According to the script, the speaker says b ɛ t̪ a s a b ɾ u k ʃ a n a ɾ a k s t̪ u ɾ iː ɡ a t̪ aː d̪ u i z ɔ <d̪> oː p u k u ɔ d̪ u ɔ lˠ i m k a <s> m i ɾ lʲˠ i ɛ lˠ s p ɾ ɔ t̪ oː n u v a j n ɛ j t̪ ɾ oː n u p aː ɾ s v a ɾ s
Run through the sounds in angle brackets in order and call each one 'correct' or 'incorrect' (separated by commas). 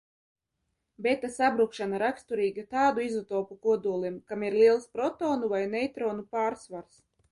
incorrect, incorrect